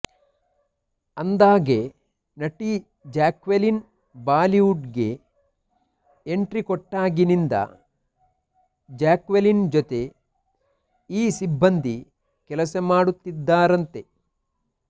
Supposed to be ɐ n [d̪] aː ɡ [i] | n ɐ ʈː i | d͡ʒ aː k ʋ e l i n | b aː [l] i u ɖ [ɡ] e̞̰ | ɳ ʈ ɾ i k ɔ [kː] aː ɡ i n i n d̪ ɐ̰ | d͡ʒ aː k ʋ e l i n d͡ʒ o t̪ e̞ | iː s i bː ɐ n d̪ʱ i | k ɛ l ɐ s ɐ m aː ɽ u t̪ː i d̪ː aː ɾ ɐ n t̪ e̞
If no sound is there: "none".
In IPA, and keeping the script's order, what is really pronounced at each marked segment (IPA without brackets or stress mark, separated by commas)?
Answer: d̪, e, l, ɡ, ʈː